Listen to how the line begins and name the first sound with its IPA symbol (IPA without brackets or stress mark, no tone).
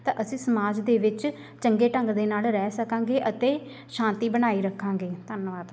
t̪